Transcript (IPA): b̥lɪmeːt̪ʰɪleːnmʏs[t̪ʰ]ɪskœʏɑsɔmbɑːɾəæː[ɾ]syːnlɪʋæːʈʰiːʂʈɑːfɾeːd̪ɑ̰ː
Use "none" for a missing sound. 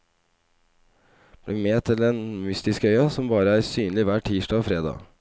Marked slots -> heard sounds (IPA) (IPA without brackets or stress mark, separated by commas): t̪, ɾ